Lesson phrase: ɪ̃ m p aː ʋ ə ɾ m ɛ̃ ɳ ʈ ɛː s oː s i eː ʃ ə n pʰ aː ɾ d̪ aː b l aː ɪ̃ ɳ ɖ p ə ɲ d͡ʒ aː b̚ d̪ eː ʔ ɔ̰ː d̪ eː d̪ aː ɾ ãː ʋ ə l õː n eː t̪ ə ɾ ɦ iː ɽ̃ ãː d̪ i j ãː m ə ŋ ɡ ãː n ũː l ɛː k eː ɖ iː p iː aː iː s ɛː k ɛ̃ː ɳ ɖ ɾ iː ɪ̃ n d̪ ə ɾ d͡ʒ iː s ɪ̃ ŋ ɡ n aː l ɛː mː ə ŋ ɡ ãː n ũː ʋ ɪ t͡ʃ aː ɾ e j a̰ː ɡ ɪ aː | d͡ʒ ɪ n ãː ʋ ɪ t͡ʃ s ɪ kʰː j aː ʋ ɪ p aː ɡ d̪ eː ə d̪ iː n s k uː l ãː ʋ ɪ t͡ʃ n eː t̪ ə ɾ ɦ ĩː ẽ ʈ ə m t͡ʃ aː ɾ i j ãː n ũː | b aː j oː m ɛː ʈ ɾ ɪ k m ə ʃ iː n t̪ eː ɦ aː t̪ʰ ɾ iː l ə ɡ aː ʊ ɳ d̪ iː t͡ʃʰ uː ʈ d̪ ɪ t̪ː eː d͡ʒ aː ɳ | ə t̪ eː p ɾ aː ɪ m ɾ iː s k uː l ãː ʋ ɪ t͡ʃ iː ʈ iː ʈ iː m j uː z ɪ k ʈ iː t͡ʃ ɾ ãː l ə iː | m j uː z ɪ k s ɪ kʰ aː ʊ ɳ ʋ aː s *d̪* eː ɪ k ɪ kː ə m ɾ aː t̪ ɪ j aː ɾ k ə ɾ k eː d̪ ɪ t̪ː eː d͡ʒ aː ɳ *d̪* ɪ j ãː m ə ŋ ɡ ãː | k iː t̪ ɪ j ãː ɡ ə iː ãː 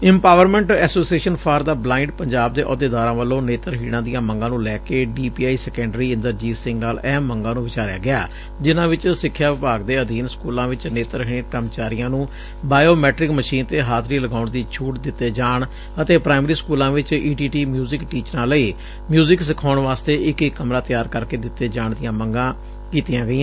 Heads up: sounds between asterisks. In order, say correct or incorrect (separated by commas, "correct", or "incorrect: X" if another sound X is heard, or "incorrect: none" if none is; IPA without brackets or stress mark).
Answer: incorrect: t̪, correct